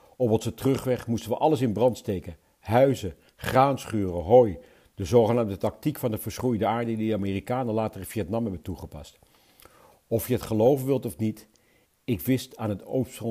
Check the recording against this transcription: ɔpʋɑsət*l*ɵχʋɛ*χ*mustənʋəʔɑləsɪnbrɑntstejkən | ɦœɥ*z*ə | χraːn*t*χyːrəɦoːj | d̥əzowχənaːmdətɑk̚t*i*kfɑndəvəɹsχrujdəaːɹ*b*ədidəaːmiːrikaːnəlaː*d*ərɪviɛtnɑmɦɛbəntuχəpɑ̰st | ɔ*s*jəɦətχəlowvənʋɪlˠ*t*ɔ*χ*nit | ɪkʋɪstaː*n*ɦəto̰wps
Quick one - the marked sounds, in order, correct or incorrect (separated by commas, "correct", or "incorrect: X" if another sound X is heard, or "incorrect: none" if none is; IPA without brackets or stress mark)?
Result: incorrect: r, correct, correct, incorrect: s, correct, incorrect: d, incorrect: t, incorrect: f, correct, incorrect: f, correct